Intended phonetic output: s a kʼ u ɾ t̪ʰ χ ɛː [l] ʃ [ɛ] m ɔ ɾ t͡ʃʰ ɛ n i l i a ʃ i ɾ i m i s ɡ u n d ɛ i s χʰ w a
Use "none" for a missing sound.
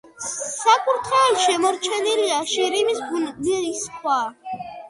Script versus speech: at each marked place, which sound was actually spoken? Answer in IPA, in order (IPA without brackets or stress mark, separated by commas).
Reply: l, ɛ